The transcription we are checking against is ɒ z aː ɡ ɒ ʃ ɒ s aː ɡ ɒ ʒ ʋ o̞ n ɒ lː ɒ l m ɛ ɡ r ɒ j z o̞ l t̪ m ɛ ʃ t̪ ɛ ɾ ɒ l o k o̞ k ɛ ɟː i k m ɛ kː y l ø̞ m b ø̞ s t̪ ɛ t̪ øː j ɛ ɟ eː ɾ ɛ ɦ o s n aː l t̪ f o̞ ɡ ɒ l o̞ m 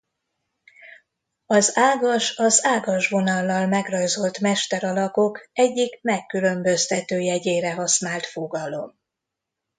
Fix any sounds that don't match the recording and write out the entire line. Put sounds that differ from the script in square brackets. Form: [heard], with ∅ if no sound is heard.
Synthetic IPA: ɒ z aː ɡ ɒ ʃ ɒ [z] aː ɡ ɒ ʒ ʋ o̞ n ɒ lː ɒ l m ɛ ɡ r ɒ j z o̞ l t̪ m ɛ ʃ t̪ ɛ ɾ ɒ l [ɒ] k o̞ k ɛ ɟː i k m ɛ kː y l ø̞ m b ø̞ s t̪ ɛ t̪ øː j ɛ ɟ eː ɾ ɛ ɦ [ɒ] s n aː l t̪ f o̞ ɡ ɒ l o̞ m